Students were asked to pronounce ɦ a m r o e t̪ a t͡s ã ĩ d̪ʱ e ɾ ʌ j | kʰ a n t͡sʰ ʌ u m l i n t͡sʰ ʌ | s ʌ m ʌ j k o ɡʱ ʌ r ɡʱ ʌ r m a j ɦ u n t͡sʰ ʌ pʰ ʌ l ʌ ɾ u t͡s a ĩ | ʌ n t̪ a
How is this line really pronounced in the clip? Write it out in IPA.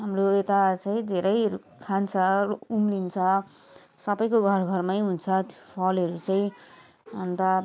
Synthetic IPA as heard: ɦ a m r o e t̪ a t͡s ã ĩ d̪ʱ e ɾ ʌ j | kʰ a n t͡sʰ ʌ u m l i n t͡sʰ ʌ | s ʌ b ʌ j k o ɡʱ ʌ r ɡʱ ʌ r m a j ɦ u n t͡sʰ ʌ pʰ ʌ l ʌ ɾ u t͡s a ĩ | ʌ n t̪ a